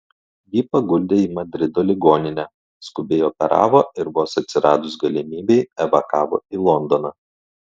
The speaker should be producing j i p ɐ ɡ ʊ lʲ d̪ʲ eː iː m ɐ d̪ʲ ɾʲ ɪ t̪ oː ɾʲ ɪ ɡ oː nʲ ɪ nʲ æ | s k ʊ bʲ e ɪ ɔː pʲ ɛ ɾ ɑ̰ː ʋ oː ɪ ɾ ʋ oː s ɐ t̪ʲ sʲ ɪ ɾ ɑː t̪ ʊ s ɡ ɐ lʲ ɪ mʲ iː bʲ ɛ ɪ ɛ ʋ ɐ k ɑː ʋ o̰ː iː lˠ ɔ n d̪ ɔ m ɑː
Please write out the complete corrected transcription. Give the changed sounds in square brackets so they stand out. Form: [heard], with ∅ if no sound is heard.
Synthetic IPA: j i p ɐ ɡ ʊ lʲ d̪ʲ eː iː m ɐ d̪ʲ ɾʲ ɪ [d̪] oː [lʲ] ɪ ɡ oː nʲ ɪ nʲ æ | s k ʊ bʲ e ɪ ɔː pʲ ɛ ɾ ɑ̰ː ʋ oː ɪ ɾ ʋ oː s ɐ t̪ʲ sʲ ɪ ɾ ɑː [d̪] ʊ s ɡ ɐ lʲ ɪ mʲ iː bʲ ɛ ɪ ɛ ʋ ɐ k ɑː ʋ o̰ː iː lˠ ɔ n d̪ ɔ [n] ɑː